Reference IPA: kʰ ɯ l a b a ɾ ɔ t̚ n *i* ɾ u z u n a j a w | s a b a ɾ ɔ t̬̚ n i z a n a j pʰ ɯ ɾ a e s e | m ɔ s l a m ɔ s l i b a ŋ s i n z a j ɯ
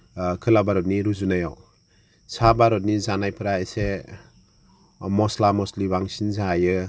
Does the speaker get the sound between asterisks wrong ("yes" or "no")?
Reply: no